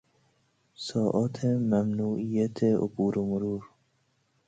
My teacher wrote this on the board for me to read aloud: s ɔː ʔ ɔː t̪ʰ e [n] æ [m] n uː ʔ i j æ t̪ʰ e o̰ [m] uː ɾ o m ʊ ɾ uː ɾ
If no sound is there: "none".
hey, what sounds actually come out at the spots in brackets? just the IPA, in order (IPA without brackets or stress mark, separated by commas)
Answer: m, m, b